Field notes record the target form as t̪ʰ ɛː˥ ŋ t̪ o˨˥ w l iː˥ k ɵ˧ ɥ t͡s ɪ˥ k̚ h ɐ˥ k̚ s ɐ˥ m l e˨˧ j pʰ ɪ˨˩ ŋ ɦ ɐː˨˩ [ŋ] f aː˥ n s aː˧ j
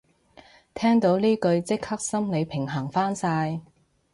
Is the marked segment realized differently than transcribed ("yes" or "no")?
no